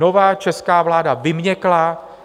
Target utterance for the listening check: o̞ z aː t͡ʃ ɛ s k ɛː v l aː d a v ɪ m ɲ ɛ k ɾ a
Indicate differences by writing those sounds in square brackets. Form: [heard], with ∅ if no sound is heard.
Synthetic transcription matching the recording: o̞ [v] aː t͡ʃ ɛ s k [aː] v l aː d a v ɪ m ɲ ɛ k [l] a